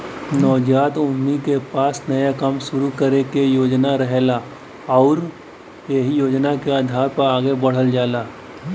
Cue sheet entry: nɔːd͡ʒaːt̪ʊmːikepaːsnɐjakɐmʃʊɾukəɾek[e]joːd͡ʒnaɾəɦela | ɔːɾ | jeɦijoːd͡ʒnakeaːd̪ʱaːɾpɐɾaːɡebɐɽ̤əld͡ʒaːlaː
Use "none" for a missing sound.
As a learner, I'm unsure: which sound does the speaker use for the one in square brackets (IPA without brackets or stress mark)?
e